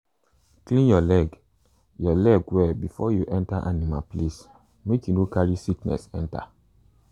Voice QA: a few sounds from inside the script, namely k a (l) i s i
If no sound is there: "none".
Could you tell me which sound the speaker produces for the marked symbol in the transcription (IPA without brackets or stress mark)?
ɹ